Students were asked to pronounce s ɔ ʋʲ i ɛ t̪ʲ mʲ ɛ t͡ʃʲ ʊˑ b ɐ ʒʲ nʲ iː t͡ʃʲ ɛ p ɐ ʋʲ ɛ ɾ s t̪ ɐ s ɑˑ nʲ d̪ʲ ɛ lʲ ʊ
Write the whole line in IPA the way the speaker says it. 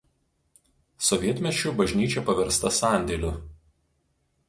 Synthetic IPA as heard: s ɔ ʋʲ i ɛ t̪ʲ mʲ ɛ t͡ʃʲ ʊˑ b ɐ ʒʲ nʲ iː t͡ʃʲ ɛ p ɐ ʋʲ ɛ ɾ s t̪ ɐ s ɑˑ nʲ d̪ʲ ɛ lʲ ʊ